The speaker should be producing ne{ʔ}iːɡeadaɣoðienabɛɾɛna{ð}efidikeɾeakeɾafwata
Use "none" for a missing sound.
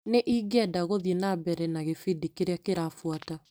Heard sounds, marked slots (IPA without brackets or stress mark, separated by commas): ʔ, ɣ